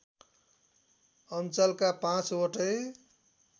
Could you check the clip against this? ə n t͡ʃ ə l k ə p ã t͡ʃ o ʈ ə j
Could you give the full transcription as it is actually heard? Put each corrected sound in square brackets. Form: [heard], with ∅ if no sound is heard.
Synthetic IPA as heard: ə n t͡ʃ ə l k [a] p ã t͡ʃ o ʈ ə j

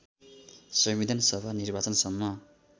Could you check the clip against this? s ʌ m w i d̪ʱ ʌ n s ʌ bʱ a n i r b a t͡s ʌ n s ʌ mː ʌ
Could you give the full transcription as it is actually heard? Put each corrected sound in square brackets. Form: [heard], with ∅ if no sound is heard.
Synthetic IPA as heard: s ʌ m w i d̪ʱ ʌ n s ʌ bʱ a n i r b a t͡s ʌ n s ʌ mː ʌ

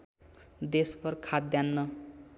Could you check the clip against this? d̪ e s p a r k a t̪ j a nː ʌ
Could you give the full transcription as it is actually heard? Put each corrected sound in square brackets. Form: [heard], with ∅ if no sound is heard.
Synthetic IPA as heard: d̪ e s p [ʌ] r [kʰ] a [d̪] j a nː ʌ

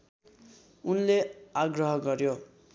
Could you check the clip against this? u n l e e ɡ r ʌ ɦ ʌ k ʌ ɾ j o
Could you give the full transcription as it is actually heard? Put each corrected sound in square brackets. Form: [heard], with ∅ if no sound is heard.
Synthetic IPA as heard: u n l e [a] ɡ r ʌ ɦ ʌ [ɡ] ʌ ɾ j o

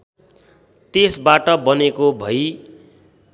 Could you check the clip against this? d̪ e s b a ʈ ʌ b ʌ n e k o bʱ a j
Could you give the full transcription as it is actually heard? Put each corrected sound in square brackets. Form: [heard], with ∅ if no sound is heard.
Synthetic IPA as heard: [t̪] e s b a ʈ ʌ b ʌ n e k o bʱ [ʌ] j

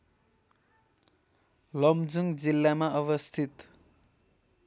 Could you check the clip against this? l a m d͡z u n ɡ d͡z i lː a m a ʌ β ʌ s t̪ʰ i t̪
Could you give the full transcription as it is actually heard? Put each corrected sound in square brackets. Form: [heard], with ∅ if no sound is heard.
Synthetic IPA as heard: l [ʌ] m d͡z u [ŋ] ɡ d͡z i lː a m a ʌ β ʌ s t̪ʰ i t̪

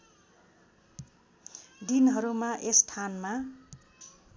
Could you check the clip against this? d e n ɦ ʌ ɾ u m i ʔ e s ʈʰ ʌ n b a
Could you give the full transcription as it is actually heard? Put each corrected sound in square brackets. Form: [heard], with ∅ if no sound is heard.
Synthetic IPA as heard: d [i] n ɦ ʌ ɾ u m [a] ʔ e s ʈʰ [a] n [m] a

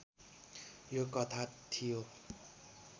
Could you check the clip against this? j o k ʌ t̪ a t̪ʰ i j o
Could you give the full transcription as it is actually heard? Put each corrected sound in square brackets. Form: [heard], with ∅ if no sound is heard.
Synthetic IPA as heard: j o k ʌ [t̪ʰ] a t̪ʰ i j o

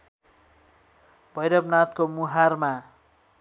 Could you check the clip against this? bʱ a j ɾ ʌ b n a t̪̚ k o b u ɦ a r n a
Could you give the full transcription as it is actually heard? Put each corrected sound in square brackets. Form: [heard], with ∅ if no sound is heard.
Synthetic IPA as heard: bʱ [ʌ] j ɾ ʌ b n a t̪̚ k o [m] u ɦ a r [m] a

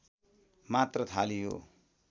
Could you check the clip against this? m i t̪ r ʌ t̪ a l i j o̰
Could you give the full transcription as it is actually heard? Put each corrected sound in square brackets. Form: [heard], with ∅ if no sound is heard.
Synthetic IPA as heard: m [a] t̪ r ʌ [t̪ʰ] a l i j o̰

